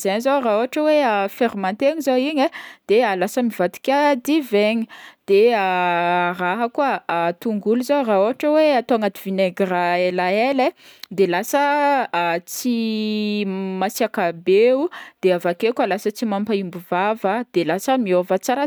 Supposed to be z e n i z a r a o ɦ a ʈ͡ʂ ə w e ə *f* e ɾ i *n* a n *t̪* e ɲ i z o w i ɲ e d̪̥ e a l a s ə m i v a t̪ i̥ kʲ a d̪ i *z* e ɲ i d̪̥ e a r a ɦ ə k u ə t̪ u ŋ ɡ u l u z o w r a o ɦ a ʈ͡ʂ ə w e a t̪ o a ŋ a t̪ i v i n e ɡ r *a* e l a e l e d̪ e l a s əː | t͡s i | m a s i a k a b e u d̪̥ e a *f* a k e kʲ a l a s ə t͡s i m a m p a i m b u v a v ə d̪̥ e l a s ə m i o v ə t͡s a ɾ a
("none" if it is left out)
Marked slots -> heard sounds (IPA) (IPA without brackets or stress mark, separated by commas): f, m, t̪, v, a, v